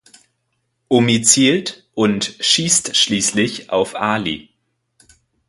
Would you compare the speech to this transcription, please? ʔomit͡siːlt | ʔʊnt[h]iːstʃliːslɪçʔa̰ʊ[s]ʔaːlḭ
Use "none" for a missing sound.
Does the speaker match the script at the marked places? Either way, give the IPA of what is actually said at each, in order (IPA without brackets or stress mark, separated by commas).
ʃ, f